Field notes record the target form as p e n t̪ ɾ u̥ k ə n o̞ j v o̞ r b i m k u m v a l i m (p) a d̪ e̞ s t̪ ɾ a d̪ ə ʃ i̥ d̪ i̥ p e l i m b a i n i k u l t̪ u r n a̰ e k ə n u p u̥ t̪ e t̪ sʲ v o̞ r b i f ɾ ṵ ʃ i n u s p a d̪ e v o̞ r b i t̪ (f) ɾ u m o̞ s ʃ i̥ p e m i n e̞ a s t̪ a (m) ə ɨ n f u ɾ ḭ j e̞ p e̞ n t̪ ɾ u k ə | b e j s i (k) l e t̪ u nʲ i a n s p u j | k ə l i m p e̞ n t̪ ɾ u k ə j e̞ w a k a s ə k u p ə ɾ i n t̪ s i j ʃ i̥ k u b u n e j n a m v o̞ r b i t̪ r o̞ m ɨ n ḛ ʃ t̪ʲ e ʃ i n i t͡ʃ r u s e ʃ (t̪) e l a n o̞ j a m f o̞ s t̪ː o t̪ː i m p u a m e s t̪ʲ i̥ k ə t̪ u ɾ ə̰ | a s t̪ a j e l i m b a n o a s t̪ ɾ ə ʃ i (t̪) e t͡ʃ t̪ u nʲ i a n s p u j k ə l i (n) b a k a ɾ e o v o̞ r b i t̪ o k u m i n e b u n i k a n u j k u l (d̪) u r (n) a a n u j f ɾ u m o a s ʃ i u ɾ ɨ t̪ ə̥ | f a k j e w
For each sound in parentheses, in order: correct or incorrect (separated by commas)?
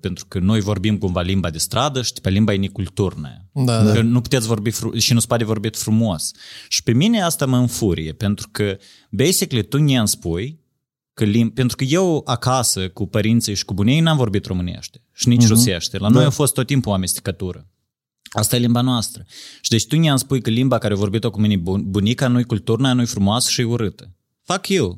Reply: incorrect, correct, correct, correct, correct, incorrect, incorrect, incorrect, correct